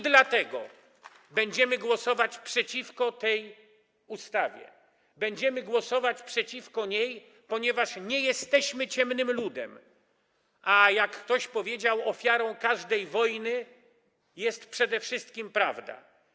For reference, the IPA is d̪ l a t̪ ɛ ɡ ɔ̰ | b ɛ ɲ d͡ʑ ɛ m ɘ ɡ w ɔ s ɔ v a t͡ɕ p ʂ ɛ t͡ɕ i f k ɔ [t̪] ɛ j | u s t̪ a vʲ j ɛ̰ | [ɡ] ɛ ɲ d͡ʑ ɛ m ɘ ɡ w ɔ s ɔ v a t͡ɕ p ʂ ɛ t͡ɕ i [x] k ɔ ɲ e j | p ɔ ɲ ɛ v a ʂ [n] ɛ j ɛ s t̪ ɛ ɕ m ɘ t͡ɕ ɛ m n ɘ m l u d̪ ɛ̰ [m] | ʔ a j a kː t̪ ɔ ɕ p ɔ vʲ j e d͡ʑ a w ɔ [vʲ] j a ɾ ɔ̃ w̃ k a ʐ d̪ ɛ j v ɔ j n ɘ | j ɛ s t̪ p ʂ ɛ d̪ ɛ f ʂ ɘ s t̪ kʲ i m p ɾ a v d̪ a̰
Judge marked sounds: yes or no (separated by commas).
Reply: yes, no, no, no, yes, no